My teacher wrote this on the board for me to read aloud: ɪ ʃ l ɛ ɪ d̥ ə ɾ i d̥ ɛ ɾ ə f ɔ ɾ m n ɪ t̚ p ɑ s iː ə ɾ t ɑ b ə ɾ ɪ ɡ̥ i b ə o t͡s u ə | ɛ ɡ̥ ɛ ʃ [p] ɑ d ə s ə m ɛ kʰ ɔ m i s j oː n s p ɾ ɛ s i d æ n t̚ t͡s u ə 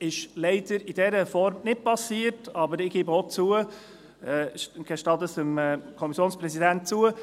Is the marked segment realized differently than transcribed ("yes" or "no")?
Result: yes